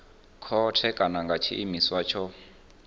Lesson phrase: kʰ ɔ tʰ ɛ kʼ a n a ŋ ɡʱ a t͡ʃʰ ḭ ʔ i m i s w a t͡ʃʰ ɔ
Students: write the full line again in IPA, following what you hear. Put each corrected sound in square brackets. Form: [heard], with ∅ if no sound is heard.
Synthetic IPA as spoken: kʰ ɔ tʰ ɛ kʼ a n a ŋ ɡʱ a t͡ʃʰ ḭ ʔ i m i s w a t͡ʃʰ ɔ